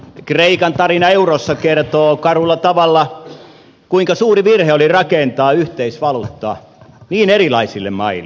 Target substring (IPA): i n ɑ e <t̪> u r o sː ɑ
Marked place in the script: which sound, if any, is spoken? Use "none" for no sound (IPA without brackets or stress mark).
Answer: none